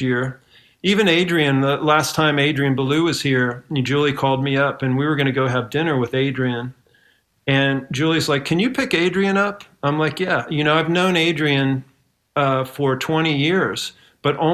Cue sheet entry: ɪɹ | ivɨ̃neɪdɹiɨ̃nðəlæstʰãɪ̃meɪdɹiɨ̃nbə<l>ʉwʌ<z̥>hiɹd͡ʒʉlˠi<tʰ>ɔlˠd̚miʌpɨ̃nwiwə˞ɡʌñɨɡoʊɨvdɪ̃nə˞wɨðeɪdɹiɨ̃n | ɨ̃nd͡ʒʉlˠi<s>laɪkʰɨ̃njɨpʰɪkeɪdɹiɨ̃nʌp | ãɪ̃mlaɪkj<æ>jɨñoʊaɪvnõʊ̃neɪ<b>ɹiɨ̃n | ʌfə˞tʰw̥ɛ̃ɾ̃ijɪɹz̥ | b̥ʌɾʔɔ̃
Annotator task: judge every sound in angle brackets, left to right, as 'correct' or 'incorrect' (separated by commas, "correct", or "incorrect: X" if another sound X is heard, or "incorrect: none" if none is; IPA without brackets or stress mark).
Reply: correct, correct, incorrect: kʰ, incorrect: z, correct, incorrect: d